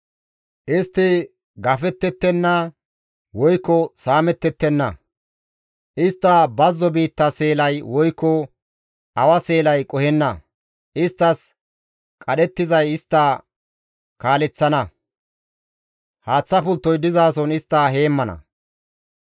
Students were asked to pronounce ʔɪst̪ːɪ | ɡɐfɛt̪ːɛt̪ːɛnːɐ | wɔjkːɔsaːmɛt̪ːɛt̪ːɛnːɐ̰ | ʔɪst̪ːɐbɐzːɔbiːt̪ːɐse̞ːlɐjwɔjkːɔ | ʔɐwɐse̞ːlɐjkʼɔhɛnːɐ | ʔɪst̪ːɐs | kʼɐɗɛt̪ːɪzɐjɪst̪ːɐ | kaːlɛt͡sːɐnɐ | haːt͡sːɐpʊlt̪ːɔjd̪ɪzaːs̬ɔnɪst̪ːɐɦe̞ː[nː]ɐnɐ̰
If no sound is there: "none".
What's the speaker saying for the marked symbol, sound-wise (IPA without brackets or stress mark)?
mː